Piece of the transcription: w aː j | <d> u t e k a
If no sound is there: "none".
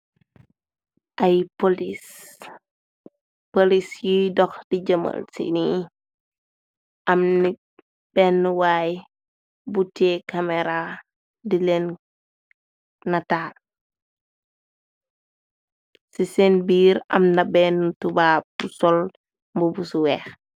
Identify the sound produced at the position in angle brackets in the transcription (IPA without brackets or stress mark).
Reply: b